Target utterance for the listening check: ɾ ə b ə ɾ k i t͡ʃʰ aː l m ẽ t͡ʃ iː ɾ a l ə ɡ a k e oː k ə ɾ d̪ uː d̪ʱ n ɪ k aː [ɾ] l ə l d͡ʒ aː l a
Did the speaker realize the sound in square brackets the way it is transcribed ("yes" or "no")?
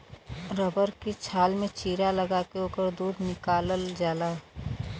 no